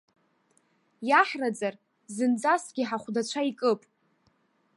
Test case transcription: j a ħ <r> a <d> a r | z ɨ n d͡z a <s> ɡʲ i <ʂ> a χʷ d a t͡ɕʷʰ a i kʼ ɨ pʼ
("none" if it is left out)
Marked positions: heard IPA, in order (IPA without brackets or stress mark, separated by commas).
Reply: r, d͡z, s, ħ